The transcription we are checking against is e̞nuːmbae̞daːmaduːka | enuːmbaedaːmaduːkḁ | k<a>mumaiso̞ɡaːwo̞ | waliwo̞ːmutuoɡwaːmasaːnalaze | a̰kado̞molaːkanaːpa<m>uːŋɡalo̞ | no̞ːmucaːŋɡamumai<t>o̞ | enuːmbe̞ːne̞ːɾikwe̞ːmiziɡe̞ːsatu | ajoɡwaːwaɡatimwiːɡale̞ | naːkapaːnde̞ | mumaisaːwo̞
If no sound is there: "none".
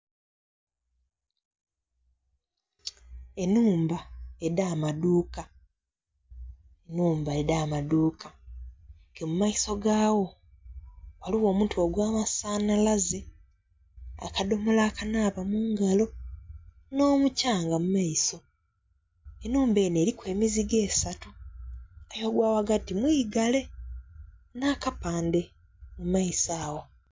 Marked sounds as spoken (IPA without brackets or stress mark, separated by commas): e, m, s